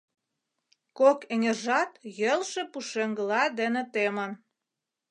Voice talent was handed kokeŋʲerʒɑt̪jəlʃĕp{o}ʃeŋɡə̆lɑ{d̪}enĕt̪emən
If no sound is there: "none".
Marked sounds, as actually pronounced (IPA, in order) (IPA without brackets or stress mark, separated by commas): u, d̪